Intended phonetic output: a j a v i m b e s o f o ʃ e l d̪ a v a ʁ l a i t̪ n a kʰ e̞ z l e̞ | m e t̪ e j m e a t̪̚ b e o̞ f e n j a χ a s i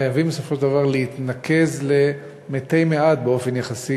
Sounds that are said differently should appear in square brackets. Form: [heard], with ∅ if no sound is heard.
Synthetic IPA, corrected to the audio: a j a v i m b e s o f o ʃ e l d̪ a v a ʁ l [e] i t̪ n a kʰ e̞ z l e̞ | m e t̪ e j m e a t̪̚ b e o̞ f e n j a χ a s i